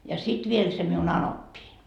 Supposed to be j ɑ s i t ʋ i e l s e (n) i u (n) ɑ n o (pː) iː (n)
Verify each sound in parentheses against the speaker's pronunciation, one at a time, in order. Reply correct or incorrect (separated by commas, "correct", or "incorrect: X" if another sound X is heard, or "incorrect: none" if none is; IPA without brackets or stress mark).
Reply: incorrect: m, correct, correct, correct